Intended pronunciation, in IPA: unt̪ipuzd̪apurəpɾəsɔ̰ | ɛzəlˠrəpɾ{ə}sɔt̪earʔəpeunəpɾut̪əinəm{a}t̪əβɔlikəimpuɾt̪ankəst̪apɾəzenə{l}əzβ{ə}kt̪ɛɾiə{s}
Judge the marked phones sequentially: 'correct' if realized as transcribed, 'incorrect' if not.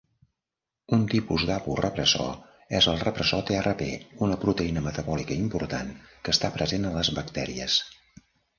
correct, incorrect, correct, correct, correct

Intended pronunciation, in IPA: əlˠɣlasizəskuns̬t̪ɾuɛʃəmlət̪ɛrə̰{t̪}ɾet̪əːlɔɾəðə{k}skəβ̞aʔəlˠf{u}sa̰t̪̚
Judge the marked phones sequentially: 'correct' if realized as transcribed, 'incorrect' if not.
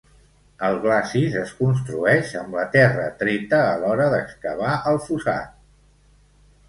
correct, correct, correct

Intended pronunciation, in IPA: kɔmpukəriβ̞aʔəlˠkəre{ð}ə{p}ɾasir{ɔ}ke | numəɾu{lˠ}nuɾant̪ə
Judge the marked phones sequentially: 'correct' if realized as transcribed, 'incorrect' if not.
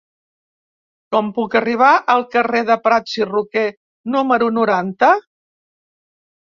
correct, correct, incorrect, incorrect

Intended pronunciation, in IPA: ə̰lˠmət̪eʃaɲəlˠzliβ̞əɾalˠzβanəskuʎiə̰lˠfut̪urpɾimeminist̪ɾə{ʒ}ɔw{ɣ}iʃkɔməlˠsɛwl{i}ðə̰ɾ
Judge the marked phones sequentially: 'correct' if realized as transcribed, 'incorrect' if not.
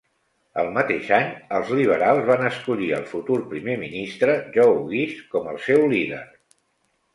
correct, correct, correct

